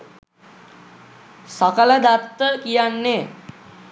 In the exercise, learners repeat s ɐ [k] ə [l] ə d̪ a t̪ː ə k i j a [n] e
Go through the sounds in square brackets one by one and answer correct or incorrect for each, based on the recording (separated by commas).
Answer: correct, correct, incorrect